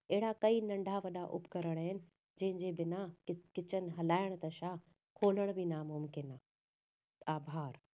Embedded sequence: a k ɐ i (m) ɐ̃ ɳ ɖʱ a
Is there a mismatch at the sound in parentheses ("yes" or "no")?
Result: yes